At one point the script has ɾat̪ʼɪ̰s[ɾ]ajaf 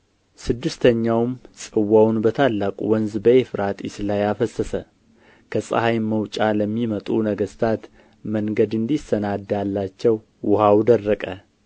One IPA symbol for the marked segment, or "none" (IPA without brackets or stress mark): l